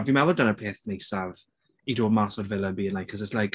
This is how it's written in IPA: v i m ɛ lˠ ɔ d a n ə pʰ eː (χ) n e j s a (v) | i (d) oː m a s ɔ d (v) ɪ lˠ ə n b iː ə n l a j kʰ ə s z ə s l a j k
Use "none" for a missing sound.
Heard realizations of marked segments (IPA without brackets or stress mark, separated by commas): θ, v, d, v